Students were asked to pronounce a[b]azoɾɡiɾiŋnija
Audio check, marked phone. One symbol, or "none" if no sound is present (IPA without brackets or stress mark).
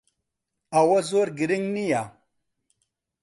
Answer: w